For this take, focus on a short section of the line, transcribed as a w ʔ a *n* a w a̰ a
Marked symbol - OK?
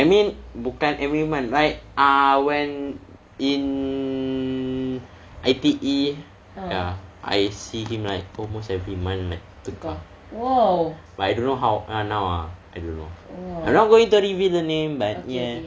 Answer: yes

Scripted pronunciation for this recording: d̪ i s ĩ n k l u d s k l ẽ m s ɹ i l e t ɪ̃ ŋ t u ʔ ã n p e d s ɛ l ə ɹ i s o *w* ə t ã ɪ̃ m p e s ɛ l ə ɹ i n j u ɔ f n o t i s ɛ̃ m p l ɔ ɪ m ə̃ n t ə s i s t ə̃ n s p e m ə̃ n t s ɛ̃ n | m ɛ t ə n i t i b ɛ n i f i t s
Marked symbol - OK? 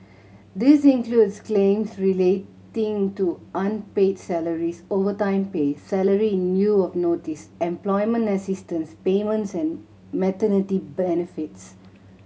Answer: no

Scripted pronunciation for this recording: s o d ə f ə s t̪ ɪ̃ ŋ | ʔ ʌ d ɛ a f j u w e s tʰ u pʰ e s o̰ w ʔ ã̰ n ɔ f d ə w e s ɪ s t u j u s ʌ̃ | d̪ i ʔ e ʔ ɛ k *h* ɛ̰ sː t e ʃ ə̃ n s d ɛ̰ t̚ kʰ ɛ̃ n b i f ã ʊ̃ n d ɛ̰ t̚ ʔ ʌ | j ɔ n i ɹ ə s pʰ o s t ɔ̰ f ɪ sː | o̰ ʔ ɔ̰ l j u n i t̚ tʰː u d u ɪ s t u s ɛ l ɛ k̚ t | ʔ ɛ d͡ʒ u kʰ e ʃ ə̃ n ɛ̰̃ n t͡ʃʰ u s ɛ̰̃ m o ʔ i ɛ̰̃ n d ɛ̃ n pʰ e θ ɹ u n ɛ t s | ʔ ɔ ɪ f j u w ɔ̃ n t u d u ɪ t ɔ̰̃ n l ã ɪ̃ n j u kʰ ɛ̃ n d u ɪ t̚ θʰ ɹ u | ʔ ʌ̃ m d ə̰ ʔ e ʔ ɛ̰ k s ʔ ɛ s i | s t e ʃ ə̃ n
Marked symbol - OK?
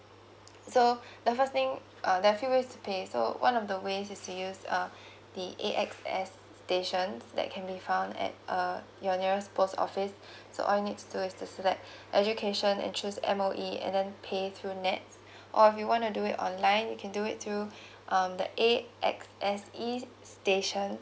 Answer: no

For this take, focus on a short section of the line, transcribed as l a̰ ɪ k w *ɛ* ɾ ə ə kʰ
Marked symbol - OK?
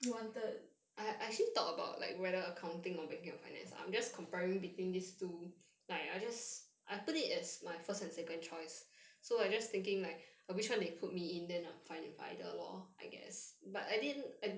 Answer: yes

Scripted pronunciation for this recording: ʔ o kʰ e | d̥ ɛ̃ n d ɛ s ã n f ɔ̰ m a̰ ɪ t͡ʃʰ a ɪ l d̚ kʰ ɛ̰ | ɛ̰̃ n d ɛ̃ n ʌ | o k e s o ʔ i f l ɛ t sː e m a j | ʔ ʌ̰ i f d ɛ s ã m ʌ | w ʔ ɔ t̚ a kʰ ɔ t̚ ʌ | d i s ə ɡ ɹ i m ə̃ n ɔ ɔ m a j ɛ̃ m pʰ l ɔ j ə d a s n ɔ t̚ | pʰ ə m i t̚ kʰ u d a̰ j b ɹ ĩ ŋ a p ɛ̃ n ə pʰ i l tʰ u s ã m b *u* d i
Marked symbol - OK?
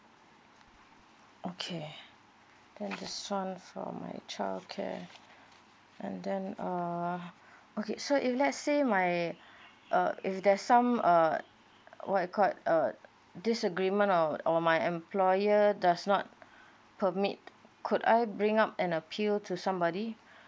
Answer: no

